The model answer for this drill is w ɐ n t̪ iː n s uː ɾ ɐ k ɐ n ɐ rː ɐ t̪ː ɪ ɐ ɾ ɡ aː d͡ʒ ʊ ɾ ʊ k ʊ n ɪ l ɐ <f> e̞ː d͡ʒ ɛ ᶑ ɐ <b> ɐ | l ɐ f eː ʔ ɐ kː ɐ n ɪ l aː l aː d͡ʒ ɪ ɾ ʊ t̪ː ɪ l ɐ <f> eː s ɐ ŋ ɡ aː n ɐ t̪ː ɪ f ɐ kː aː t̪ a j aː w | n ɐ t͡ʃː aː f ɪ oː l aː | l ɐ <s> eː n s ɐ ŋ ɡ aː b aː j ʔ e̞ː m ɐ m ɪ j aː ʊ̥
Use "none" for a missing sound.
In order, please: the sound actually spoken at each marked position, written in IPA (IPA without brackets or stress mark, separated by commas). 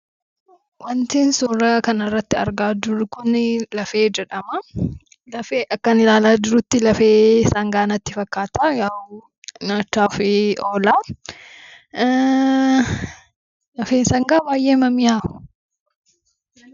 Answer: f, m, f, f